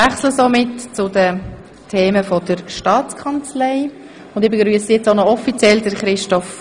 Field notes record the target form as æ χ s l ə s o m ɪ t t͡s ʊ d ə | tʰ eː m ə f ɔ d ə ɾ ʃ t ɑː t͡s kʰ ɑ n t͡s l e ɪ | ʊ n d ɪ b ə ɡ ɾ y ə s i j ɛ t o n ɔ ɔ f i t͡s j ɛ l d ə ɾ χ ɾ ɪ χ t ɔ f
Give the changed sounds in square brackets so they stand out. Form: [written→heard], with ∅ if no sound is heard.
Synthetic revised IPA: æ χ s l ə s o m ɪ t t͡s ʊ d ə | tʰ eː m ə f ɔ d ə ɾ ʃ t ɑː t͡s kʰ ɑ n t͡s l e ɪ | ʊ n d ɪ b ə ɡ ɾ y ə s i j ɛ [t→t͡s] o n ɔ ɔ f i t͡s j ɛ l d ə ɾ χ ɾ ɪ [χ→ʃ] t ɔ f

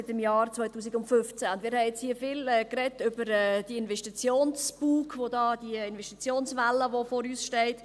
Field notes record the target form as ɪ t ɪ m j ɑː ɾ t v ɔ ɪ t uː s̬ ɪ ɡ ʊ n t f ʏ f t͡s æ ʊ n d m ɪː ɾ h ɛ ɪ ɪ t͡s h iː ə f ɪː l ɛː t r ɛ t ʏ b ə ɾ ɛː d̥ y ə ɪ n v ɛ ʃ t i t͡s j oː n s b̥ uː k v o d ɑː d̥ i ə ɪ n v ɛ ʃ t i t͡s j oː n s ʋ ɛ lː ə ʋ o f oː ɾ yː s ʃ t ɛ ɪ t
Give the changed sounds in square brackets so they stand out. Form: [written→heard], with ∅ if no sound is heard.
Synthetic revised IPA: ɪ t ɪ m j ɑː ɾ [t→t͡s] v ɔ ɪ t uː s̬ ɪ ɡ ʊ n t f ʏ f t͡s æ ʊ n d m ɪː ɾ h ɛ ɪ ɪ t͡s h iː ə f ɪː l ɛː [t→k] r ɛ t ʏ b ə ɾ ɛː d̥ [y→i] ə ɪ n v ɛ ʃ t i t͡s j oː n s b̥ uː k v o d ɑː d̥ i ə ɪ n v ɛ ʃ t i t͡s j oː n s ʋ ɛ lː ə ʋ o f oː ɾ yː s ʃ t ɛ ɪ t

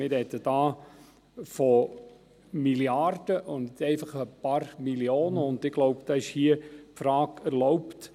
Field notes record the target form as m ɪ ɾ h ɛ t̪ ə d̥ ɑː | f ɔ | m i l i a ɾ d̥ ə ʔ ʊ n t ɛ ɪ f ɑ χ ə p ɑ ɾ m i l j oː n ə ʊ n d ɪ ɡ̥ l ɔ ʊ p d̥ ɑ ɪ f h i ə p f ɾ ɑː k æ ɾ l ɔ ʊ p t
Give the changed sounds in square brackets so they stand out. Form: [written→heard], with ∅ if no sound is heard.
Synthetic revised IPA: m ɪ ɾ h ɛ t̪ ə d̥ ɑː | f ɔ | m i l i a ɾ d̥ ə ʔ ʊ n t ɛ ɪ f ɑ χ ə p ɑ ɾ m i l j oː n ə ʊ n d ɪ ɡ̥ l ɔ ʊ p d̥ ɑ ɪ [f→ʃ] h i ə p f ɾ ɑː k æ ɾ l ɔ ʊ p t

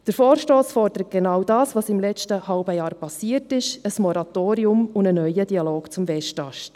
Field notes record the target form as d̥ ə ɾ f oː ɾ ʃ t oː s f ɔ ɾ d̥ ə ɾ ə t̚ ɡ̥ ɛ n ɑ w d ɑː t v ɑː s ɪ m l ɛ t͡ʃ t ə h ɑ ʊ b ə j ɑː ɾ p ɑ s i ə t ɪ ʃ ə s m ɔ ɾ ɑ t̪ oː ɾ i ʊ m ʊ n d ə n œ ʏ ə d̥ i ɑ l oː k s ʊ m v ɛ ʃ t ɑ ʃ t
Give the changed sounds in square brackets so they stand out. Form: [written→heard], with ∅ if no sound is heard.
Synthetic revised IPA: d̥ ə ɾ f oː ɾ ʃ t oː s f ɔ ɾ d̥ ə ɾ ə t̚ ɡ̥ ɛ n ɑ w d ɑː [t→s] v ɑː s ɪ m l ɛ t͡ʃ t ə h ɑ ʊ b ə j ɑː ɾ p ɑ s i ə t ɪ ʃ ə s m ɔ ɾ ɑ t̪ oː ɾ i ʊ m ʊ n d ə n œ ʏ ə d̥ i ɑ l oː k [s→t͡s] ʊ m v ɛ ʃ t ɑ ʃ t

